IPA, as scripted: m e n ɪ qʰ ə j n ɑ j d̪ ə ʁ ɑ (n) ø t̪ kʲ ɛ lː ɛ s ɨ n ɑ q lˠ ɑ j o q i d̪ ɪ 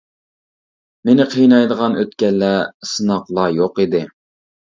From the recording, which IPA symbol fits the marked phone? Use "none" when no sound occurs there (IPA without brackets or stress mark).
n